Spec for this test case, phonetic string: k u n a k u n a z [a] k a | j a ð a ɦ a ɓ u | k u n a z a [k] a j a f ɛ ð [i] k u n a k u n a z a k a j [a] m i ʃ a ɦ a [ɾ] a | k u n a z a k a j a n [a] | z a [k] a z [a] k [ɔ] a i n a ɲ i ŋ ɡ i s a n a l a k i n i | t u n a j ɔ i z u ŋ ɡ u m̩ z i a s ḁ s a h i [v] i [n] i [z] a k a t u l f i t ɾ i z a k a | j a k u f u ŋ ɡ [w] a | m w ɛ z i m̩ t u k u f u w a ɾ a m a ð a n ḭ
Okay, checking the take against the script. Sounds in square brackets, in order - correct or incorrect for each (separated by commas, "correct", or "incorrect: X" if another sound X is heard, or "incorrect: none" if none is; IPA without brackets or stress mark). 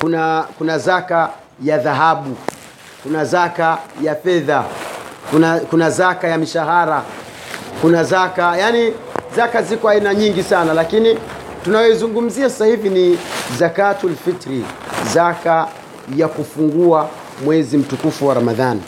correct, correct, incorrect: a, correct, correct, incorrect: i, correct, incorrect: i, correct, correct, correct, correct, incorrect: u